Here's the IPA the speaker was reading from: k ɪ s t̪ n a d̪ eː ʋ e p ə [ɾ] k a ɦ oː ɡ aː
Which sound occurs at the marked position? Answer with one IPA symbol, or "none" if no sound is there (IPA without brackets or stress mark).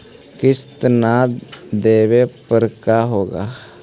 ɾ